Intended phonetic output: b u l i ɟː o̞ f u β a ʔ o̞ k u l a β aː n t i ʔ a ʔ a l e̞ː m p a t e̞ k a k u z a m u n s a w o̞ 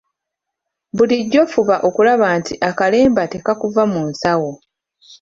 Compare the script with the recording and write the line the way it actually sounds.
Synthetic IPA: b u l i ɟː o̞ f u β a ʔ o̞ k u l a β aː n t i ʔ a k a l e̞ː m b a t e̞ k a k u v a m u n s a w o̞